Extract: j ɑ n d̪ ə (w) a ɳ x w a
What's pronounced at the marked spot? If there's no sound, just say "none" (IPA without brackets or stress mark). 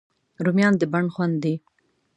b